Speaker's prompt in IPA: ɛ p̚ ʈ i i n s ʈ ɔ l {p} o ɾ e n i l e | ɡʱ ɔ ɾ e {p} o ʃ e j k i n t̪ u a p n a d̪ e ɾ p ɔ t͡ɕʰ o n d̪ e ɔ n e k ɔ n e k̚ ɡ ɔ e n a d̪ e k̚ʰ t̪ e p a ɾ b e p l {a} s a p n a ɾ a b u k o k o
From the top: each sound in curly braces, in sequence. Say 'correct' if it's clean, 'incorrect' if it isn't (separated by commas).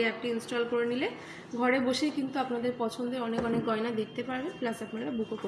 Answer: incorrect, incorrect, correct